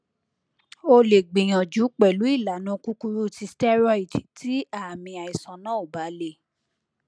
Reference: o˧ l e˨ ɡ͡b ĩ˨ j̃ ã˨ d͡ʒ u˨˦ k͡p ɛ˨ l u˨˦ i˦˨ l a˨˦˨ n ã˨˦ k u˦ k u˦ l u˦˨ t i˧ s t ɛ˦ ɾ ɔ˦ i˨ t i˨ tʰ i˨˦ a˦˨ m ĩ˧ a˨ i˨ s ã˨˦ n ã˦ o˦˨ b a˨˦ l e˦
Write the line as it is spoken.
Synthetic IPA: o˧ l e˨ ɡ͡b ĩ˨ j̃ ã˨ d͡ʒ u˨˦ k͡p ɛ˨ l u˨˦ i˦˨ l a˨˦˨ n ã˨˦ k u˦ k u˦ ɾ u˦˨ t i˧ s t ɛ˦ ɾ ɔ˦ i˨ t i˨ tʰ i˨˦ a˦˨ m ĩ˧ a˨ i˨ s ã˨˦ n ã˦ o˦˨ b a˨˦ l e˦